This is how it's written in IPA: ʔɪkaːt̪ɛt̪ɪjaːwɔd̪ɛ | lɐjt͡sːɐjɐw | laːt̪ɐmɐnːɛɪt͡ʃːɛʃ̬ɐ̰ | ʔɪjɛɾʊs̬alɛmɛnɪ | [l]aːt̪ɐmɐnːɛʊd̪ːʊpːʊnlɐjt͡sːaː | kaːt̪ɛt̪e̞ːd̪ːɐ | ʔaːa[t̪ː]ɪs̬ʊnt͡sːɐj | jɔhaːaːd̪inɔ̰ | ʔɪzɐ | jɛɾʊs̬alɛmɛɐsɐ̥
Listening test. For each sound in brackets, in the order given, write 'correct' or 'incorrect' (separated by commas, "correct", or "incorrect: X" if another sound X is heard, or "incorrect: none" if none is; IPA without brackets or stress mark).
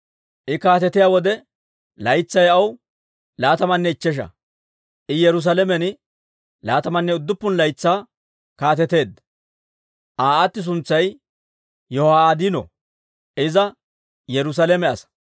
correct, correct